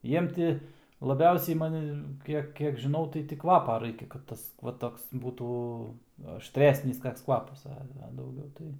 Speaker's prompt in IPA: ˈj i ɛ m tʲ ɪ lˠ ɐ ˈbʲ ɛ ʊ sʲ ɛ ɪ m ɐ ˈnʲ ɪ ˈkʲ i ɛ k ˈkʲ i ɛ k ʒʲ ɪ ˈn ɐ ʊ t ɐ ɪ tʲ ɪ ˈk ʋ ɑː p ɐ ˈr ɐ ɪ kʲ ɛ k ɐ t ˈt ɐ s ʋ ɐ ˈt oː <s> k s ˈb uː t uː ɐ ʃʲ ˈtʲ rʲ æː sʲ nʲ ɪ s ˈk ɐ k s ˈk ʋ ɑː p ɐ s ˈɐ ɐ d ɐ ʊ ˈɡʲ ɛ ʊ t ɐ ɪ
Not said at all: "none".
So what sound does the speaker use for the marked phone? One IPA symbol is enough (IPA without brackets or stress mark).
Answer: none